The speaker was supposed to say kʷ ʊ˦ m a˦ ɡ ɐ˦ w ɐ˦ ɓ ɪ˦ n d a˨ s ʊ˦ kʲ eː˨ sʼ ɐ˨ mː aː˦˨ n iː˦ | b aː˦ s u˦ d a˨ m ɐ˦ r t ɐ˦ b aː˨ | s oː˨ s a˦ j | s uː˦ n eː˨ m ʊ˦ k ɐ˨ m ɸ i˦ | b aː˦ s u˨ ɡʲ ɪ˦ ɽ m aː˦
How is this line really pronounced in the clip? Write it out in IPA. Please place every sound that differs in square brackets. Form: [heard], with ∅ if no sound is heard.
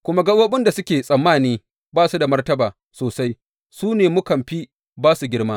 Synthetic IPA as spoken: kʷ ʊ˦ m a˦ ɡ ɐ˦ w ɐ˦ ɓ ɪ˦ n d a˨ s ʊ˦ kʲ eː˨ sʼ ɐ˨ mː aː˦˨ n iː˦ | b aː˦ s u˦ d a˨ m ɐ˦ r t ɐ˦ b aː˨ | s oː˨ s a˦ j | s uː˦ n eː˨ m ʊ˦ k ɐ˨ m ɸ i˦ | b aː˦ s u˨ ɡʲ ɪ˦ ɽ m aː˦